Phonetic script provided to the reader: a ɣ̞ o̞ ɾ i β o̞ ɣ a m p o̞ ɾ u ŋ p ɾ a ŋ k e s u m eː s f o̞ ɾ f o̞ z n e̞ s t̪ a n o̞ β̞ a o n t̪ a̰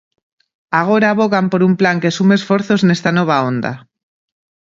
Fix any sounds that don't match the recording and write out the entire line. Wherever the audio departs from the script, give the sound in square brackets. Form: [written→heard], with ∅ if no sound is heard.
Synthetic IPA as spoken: a ɣ̞ o̞ ɾ [i→a] β o̞ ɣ a m p o̞ ɾ u [ŋ→m] p [ɾ→l] a ŋ k e s u m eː s f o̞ ɾ [f→θ] o̞ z n e̞ s t̪ a n o̞ β̞ a o n [t̪→d̪] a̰